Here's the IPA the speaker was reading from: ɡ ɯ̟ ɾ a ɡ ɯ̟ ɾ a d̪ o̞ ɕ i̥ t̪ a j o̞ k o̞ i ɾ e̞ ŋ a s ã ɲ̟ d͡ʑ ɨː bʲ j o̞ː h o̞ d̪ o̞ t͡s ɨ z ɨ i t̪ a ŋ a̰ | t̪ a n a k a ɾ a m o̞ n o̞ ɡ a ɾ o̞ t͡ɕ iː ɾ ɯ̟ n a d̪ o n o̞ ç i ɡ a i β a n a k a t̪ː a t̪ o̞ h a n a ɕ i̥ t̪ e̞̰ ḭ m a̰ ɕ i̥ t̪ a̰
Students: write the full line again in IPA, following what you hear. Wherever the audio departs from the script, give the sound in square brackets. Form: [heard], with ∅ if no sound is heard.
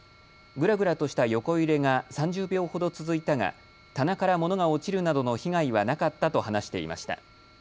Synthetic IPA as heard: ɡ ɯ̟ ɾ a ɡ ɯ̟ ɾ a [t̪] o̞ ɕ i̥ t̪ a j o̞ k o̞ i ɾ e̞ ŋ a s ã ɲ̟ d͡ʑ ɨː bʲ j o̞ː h o̞ d̪ o̞ t͡s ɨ z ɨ i t̪ a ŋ a̰ | t̪ a n a k a ɾ a m o̞ n o̞ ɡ a [∅] o̞ t͡ɕ [i] ɾ ɯ̟ n a d̪ o n o̞ ç i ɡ a i β a n a k a t̪ː a t̪ o̞ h a n a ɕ i̥ t̪ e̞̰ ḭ m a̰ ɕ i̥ t̪ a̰